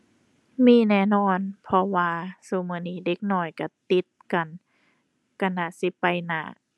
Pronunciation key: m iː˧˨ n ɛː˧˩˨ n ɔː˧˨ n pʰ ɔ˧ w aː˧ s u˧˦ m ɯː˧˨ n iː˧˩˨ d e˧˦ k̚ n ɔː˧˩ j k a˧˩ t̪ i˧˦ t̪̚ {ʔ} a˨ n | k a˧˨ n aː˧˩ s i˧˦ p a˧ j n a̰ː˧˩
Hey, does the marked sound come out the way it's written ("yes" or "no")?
no